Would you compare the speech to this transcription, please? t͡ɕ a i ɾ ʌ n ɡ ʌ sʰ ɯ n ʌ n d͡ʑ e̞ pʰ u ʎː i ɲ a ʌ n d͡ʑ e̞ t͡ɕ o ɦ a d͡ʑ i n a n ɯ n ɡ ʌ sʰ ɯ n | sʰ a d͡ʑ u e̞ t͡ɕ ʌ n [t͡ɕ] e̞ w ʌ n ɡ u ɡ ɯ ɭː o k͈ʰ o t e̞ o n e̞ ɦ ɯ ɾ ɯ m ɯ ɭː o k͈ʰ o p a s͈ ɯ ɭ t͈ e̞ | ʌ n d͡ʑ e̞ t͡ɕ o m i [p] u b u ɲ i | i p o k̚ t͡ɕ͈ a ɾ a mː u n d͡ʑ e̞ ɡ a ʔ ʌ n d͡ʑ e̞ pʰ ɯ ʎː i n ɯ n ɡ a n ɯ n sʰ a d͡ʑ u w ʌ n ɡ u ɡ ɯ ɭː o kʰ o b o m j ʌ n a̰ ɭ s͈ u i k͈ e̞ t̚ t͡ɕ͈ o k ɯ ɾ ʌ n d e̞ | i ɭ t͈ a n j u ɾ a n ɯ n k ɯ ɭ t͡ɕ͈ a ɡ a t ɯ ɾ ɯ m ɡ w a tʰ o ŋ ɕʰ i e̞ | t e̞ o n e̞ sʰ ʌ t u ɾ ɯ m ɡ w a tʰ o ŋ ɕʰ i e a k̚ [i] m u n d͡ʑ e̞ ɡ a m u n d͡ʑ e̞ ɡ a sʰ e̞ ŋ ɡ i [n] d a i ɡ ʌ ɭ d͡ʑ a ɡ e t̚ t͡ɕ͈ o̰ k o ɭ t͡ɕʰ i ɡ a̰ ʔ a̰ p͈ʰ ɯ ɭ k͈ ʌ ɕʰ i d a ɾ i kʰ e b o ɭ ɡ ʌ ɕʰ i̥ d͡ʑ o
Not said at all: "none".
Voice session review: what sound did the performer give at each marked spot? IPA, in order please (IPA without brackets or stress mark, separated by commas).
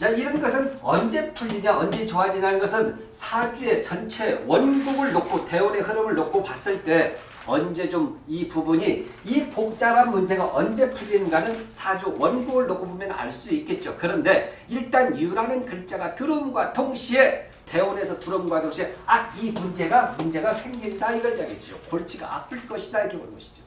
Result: t͡ɕʰ, p, i, n